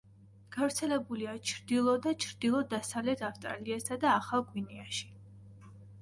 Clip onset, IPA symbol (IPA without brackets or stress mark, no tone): ɡ̥